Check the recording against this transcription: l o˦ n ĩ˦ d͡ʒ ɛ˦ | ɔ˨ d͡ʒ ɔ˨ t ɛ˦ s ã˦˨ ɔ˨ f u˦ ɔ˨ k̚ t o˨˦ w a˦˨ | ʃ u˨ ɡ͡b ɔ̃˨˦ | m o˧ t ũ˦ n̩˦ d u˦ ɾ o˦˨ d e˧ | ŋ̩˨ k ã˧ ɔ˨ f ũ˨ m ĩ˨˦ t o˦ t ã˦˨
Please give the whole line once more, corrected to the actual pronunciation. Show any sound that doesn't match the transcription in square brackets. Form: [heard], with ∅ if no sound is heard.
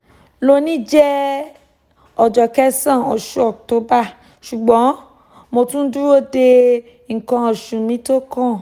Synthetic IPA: l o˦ n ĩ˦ d͡ʒ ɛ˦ | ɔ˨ d͡ʒ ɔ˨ [k] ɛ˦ s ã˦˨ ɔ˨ [ʃ] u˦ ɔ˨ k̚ t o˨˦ [b] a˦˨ | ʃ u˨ ɡ͡b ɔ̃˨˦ | m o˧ t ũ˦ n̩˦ d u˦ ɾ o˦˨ d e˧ | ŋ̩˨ k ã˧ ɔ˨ [ʃ] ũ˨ m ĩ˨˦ t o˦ [k] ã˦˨